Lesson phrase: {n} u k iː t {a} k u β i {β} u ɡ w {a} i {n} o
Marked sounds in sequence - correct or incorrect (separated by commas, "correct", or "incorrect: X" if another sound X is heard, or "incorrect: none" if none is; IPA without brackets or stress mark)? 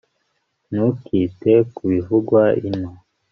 correct, incorrect: e, incorrect: v, correct, correct